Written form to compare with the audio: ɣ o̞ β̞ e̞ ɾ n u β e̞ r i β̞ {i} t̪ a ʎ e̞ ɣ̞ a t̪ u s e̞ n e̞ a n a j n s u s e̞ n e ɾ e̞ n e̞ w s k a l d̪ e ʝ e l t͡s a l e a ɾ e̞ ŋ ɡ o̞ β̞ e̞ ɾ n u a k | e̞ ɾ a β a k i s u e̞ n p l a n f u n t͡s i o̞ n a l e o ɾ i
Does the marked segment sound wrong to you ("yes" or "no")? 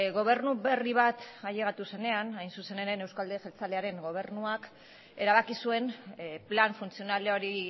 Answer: yes